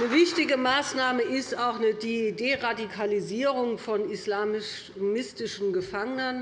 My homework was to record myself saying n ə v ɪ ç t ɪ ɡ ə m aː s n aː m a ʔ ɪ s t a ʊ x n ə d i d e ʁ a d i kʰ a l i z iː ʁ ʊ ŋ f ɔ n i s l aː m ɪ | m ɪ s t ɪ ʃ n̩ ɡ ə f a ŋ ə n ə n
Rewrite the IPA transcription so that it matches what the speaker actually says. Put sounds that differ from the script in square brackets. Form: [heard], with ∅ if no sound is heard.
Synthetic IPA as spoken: n ə v ɪ ç t ɪ ɡ ə m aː s n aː m [ə] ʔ ɪ s t a ʊ x n ə d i d e ʁ a d i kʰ a l i z iː ʁ ʊ ŋ f ɔ n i s l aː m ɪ | m ɪ s t ɪ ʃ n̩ ɡ ə f a ŋ ə n ə n